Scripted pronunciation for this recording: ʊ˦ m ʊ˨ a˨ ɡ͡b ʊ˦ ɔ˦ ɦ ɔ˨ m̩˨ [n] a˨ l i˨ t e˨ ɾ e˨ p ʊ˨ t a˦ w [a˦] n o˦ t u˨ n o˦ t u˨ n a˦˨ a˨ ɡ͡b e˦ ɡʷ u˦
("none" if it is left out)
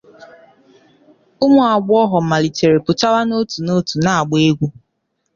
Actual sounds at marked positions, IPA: m, a˦

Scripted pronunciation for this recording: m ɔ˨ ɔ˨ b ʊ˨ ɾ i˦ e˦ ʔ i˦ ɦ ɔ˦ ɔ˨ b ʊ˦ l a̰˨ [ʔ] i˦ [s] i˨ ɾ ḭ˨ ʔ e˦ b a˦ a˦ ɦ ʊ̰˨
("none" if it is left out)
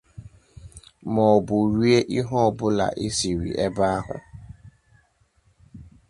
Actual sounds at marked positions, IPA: ʔ, s

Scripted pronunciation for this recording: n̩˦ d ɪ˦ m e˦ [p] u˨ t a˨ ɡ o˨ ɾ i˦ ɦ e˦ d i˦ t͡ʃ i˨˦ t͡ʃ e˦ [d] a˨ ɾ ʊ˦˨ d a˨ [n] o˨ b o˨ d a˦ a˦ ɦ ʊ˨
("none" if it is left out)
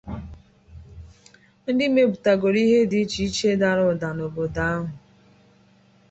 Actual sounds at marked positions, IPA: b, d, n

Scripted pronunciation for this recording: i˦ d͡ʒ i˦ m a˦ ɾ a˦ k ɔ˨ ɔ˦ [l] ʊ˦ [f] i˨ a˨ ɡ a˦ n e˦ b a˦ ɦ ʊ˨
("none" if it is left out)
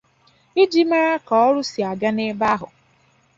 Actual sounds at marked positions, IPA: ɾ, s

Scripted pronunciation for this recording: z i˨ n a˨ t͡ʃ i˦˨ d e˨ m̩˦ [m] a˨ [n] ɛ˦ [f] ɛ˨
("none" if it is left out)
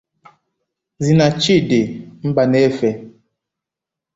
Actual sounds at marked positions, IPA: b, n, f

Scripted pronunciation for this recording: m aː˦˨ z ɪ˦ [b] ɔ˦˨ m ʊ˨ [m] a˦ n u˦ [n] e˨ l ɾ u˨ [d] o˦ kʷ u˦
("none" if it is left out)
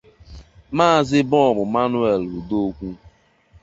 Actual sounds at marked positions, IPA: b, m, none, d

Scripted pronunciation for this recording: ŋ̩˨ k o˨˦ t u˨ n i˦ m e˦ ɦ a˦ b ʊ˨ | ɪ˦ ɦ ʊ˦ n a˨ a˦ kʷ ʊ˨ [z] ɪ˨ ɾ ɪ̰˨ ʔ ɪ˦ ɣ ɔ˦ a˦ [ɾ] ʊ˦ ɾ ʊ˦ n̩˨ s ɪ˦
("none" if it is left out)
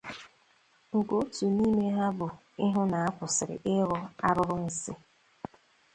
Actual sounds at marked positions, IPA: s, ɾ

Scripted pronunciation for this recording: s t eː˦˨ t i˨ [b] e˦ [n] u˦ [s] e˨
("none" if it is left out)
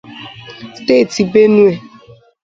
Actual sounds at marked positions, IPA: b, n, none

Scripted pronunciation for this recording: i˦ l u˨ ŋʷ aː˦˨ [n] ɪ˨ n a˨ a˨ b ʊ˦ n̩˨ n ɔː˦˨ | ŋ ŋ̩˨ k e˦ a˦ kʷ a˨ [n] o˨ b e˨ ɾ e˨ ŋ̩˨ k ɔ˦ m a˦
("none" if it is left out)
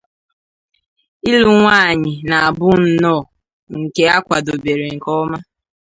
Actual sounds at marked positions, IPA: ɲ, d

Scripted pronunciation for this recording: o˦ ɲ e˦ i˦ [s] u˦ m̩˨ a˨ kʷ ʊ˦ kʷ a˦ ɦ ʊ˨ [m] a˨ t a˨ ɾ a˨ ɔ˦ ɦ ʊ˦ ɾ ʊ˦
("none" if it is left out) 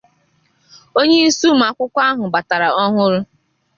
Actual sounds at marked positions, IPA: s, b

